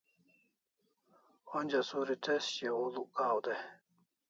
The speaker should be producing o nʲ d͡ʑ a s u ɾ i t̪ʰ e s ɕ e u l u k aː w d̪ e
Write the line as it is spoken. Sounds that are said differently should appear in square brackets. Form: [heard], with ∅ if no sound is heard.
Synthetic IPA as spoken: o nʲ d͡ʑ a s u ɾ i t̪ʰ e s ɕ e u l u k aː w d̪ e